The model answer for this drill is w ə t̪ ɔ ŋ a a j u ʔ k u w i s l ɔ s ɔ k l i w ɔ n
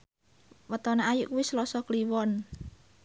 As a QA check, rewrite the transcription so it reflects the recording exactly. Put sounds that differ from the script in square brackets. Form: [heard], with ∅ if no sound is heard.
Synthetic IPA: w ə t̪ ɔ [n] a a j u ʔ k u w i s l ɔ s ɔ k l i w ɔ n